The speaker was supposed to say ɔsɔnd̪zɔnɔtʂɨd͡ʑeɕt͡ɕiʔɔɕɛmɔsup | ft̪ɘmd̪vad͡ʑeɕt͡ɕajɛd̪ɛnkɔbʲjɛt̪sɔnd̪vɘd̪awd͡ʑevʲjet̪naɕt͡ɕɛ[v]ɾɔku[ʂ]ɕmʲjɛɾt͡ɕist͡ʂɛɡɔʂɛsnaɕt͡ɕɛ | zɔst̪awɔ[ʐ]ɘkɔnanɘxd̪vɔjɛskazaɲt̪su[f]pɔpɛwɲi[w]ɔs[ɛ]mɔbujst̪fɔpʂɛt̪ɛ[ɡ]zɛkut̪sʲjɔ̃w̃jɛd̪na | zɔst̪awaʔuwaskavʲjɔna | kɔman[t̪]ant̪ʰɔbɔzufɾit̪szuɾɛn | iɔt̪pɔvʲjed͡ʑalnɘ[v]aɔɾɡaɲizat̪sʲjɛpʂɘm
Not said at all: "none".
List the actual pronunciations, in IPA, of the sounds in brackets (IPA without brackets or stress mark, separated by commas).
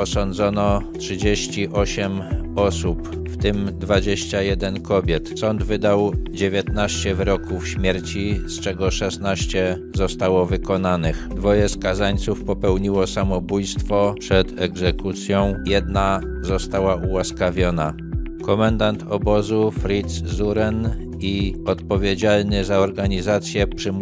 v, f, v, f, w, a, ɡ, d̪, z